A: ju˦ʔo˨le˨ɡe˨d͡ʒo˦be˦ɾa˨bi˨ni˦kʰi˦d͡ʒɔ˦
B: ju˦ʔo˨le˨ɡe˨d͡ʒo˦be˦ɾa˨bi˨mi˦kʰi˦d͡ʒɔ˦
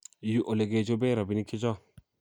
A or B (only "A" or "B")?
A